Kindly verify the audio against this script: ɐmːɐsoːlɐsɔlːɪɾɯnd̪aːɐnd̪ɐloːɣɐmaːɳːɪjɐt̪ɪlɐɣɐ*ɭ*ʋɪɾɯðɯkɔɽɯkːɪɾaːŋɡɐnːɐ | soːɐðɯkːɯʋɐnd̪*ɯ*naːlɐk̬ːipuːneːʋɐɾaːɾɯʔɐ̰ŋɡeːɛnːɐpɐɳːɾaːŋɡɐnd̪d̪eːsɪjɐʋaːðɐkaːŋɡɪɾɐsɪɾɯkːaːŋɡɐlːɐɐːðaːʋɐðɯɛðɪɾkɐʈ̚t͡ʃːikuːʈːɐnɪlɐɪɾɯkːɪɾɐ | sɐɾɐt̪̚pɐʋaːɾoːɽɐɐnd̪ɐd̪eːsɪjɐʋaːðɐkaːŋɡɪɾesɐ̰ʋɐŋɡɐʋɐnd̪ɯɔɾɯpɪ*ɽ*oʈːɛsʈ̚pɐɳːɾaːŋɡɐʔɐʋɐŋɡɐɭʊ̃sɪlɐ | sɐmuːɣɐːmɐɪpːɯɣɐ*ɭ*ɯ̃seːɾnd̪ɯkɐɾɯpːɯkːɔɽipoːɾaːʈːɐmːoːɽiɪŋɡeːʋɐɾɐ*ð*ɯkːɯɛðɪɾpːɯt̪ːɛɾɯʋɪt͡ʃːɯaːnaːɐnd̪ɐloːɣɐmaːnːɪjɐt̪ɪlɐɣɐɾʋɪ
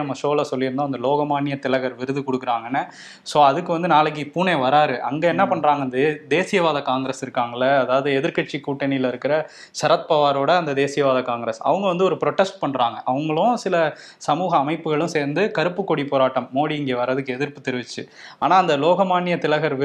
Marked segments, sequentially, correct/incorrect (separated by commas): incorrect, correct, incorrect, correct, correct